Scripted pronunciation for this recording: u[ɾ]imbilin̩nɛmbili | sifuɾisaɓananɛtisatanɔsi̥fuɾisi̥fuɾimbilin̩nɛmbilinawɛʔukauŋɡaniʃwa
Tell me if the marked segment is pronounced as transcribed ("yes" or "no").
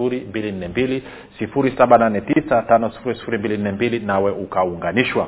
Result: yes